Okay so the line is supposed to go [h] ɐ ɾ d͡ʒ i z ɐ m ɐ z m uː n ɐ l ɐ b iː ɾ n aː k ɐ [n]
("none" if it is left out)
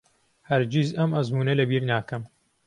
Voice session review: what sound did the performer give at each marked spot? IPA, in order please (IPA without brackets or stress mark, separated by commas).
h, m